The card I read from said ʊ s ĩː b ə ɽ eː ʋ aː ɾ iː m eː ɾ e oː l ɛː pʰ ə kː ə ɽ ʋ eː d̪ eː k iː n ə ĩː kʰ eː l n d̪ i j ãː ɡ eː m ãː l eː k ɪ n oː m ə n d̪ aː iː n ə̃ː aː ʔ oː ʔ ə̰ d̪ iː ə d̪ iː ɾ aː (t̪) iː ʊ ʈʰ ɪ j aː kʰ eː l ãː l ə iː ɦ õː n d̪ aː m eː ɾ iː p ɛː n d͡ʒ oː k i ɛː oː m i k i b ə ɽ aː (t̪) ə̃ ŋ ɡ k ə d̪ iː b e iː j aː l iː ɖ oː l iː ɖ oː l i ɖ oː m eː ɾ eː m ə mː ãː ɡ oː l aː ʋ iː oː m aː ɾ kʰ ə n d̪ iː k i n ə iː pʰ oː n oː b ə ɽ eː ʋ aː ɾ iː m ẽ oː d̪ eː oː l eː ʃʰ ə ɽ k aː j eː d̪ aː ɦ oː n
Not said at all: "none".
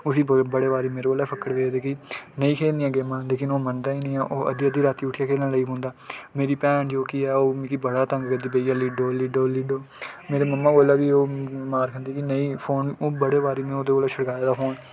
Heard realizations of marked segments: t̪, t̪

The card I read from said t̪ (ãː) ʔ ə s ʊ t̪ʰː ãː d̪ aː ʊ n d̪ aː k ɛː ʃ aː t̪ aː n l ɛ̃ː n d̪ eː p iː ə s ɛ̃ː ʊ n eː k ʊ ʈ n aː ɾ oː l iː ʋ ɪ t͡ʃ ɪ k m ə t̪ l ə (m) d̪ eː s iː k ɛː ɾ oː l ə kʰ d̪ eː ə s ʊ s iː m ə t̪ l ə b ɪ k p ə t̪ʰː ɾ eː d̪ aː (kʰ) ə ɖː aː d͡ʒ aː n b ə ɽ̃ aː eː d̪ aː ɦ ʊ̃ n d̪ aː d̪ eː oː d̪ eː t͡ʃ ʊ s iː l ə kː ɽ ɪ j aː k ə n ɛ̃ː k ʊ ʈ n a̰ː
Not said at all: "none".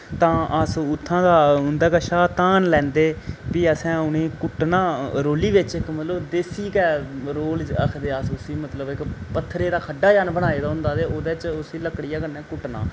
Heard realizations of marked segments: ãː, b, kʰ

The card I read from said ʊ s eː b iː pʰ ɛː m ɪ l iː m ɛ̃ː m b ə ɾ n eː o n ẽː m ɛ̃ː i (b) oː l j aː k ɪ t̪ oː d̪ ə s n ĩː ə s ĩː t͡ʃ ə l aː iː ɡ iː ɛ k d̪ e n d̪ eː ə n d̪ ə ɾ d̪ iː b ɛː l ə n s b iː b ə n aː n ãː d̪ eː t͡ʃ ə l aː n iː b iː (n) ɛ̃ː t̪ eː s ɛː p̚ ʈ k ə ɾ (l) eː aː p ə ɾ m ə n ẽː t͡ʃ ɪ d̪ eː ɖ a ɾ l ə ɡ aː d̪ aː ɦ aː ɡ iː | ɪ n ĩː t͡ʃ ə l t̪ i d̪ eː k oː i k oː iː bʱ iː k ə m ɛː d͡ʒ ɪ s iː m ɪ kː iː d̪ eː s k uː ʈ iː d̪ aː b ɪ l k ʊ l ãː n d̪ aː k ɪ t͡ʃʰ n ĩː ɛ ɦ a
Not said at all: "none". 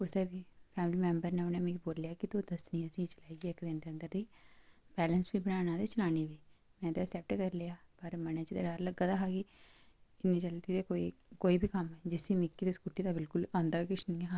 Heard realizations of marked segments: b, m, l

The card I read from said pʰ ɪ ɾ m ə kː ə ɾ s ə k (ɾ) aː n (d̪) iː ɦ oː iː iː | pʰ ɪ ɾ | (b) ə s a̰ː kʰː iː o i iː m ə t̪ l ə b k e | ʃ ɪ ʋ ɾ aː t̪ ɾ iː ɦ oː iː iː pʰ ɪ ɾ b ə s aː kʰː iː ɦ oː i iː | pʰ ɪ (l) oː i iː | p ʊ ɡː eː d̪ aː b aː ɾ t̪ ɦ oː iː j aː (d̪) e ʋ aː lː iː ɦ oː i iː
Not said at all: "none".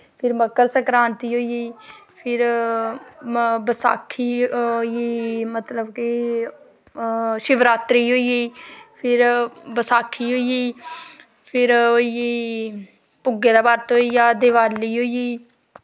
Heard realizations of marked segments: ɾ, t̪, b, ɾ, d̪

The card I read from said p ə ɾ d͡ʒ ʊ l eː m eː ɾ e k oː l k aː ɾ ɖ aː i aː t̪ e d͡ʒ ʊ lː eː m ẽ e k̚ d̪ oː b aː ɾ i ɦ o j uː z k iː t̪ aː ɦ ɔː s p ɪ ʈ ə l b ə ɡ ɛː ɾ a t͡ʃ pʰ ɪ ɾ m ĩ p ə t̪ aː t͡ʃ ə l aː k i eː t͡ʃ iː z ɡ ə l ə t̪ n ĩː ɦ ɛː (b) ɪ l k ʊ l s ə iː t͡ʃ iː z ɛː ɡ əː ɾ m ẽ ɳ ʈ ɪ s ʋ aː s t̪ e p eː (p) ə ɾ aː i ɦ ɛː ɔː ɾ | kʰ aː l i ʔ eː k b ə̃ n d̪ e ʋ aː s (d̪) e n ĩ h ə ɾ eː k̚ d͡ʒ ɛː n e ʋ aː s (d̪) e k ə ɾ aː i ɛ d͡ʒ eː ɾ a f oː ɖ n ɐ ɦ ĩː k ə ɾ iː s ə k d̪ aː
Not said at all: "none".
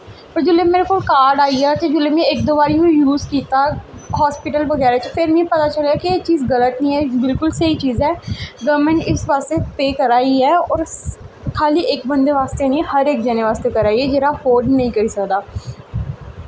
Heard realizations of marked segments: b, k, t̪, t̪

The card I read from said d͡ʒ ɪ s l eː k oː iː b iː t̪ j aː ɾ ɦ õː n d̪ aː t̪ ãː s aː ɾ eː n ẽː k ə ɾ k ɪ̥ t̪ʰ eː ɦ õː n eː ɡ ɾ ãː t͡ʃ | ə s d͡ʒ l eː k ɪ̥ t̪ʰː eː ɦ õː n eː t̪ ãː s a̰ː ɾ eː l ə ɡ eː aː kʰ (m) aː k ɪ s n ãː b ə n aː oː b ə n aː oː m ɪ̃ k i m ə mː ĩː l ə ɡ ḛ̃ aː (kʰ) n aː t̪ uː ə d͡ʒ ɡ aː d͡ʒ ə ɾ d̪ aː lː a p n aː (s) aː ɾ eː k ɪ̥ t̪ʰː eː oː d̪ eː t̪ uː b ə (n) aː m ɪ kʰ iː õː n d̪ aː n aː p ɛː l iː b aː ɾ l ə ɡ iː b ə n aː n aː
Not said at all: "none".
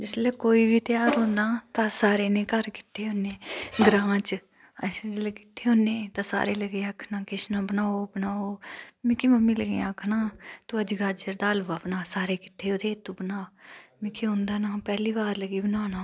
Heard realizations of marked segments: n, kʰ, s, n

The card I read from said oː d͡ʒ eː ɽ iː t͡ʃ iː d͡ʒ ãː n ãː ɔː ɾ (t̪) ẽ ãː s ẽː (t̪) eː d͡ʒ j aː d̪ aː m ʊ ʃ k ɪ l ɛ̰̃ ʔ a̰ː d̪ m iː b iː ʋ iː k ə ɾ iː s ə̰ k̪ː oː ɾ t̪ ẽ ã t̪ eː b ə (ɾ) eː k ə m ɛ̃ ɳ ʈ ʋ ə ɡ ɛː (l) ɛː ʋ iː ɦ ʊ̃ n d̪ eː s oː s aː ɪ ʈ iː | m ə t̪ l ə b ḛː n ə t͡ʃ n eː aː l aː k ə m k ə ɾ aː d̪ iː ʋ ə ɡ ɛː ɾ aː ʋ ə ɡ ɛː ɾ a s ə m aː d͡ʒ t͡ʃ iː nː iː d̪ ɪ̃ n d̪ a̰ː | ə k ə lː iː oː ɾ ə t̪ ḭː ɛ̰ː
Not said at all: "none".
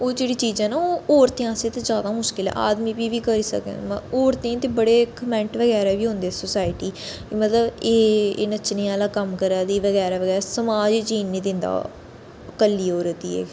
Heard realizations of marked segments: t̪, t̪, ɽ, ɾ

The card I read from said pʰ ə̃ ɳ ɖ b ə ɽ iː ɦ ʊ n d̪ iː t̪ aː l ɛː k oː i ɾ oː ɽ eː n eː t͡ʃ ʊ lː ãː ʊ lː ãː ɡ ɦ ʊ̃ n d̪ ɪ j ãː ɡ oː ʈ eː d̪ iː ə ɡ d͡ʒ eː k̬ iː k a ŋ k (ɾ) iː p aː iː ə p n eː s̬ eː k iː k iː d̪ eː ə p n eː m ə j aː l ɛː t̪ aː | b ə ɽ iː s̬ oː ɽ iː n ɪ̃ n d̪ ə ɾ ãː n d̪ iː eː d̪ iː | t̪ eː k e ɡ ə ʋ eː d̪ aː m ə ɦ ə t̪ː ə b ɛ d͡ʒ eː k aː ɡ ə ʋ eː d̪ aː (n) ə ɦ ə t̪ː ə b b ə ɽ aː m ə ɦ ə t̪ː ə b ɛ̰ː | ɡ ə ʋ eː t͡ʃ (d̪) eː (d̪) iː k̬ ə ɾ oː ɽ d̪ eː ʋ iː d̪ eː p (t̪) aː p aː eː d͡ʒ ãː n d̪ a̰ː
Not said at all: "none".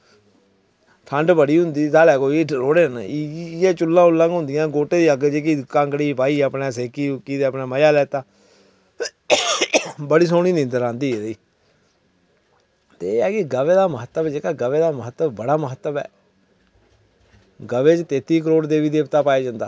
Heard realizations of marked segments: ɽ, m, t̪, t̪, t̪

